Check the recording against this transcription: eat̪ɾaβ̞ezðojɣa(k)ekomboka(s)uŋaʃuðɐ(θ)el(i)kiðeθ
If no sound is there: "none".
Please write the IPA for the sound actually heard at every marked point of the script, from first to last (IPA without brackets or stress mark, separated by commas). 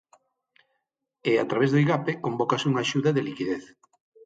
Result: p, s, ð, i